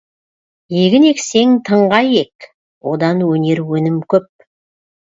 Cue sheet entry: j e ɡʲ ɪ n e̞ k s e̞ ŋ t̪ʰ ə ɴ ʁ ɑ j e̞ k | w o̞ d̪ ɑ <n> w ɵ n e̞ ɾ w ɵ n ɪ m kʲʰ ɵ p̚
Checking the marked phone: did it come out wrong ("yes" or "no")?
no